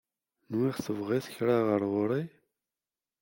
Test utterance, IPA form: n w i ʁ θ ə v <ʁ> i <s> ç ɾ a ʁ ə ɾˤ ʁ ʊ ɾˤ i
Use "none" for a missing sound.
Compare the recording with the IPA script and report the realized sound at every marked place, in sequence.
ʁ, θ

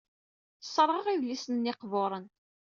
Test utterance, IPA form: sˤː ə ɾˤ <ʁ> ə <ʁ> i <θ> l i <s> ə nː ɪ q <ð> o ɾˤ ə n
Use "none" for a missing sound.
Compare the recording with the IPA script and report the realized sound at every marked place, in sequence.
ʁ, ʁ, ð, s, v

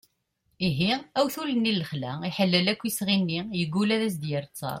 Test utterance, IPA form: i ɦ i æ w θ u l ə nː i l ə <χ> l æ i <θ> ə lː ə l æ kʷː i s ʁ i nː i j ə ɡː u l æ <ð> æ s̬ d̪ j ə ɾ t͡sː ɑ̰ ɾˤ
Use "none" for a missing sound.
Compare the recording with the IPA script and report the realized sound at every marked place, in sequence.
χ, ħ, ð

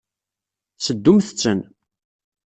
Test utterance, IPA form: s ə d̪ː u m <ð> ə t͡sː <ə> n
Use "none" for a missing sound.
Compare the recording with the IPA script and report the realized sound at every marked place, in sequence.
θ, ə

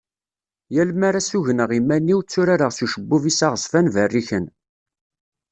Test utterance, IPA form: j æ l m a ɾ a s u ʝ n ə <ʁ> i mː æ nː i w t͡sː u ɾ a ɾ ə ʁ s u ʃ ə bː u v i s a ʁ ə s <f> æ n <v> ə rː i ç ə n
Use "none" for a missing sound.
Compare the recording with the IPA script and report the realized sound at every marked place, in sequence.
ʁ, f, v

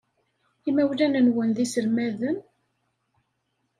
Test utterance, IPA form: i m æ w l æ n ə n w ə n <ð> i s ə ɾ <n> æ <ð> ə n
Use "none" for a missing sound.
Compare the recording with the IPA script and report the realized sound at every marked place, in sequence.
ð, m, ð

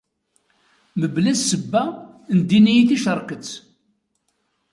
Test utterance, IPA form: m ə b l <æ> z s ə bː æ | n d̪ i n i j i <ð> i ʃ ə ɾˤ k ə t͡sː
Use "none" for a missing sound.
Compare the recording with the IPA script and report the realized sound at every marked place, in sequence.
æ, θ

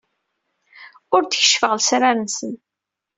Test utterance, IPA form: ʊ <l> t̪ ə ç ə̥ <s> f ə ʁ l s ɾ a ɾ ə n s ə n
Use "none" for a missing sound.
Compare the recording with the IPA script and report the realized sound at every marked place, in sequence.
ɾ, ʃ

